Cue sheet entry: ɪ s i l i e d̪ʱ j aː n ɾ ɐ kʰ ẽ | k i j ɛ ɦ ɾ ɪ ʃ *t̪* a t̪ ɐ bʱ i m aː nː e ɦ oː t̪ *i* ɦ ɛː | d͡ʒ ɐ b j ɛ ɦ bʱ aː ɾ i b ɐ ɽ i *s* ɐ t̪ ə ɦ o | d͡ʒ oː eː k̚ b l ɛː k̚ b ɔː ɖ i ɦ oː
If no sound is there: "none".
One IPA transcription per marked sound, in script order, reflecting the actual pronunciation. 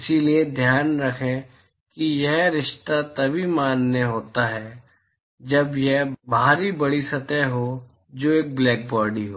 t̪, a, s

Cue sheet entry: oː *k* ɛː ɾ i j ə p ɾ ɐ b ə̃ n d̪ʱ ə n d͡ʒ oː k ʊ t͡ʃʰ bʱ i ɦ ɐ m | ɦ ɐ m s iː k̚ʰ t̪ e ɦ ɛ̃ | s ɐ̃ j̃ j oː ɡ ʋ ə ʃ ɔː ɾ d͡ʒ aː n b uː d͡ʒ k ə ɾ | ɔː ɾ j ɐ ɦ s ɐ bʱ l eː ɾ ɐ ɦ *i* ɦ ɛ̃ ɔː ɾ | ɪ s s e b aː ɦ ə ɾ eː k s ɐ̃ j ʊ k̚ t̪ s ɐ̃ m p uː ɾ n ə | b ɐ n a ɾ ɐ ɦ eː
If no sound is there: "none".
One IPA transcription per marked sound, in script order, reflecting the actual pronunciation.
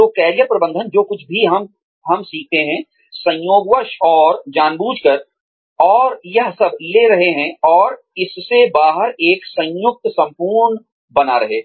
k, e

